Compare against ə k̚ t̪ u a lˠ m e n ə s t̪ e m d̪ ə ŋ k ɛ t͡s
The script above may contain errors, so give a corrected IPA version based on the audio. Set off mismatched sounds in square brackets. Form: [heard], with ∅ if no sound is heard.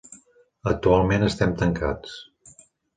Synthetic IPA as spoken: ə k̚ t̪ u a lˠ m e n ə s t̪ [ɛ] m [t̪] ə ŋ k [a] t͡s